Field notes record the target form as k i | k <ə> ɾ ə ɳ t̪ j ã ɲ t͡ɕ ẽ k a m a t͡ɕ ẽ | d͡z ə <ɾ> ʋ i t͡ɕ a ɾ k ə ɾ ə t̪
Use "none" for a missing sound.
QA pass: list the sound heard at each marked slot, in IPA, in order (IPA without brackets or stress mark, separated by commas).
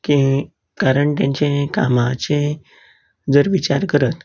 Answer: a, ɾ